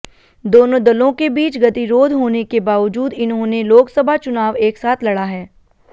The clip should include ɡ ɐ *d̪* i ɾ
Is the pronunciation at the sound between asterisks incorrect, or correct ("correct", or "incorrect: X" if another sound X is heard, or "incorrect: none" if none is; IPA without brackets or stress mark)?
incorrect: t̪